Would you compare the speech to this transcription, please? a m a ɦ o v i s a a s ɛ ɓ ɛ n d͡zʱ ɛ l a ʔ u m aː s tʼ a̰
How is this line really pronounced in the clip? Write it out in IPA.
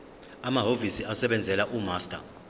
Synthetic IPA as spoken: a m a ɦ o v i s i a s ɛ ɓ ɛ n d͡zʱ ɛ l a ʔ u m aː s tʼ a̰